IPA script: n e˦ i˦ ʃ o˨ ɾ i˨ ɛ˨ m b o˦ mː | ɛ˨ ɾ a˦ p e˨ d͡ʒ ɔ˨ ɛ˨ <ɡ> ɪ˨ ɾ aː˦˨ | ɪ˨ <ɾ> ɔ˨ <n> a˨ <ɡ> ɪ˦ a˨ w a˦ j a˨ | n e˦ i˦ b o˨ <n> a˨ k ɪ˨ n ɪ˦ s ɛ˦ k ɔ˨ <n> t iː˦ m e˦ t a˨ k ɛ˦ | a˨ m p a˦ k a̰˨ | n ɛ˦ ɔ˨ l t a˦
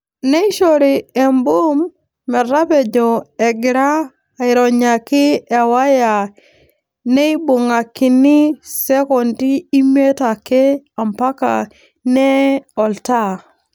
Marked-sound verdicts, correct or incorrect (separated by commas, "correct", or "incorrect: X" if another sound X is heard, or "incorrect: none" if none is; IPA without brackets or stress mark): correct, correct, incorrect: ɲ, incorrect: k, incorrect: ŋ, correct